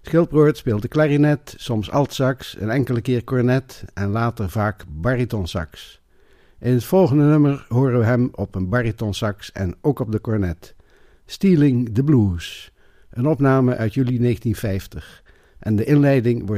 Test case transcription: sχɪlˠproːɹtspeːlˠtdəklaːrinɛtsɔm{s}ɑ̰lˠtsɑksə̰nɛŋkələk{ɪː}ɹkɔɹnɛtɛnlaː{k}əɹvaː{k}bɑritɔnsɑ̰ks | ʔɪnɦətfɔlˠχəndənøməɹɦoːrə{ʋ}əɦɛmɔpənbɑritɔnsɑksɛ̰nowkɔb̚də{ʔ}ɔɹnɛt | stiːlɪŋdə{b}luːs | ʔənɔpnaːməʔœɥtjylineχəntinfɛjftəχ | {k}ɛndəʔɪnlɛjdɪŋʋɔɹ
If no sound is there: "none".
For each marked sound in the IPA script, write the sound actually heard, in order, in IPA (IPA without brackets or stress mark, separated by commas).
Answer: s, ɪː, t, k, ʋ, k, b, ʔ